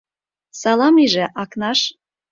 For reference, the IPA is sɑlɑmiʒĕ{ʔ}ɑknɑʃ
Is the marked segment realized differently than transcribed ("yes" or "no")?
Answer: no